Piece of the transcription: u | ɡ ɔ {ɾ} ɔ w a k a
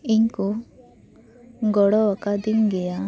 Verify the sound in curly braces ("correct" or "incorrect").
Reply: incorrect